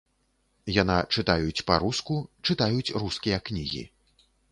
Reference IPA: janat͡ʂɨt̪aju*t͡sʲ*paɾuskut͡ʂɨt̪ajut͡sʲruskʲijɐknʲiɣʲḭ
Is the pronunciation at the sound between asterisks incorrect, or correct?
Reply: correct